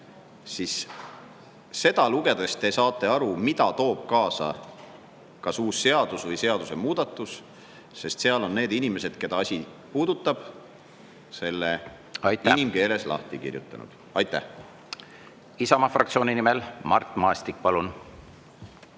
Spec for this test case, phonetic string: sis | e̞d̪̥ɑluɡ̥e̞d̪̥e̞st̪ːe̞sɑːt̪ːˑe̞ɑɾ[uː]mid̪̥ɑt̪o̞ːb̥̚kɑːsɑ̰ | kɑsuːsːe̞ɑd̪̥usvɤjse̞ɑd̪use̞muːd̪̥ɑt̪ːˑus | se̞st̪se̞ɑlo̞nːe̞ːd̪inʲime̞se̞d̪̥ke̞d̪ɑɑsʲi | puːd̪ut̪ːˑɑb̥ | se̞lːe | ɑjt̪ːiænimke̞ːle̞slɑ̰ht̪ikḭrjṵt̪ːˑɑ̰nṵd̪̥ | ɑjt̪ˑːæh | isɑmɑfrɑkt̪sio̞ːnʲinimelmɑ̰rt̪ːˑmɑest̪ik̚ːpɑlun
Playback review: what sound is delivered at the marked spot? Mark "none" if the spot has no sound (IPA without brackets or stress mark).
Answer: u